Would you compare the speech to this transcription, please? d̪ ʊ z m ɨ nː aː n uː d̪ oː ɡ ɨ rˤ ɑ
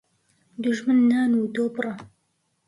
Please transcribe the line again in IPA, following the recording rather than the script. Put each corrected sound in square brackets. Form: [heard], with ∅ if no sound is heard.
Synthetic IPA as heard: d̪ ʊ [ʒ] m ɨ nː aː n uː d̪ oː [b] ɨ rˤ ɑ